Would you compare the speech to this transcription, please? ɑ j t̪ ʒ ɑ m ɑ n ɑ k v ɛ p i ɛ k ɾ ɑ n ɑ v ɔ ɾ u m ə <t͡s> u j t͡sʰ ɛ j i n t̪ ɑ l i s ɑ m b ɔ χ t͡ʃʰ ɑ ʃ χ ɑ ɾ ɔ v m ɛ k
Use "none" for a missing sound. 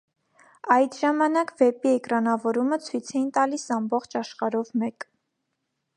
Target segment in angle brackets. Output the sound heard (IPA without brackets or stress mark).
t͡sʰ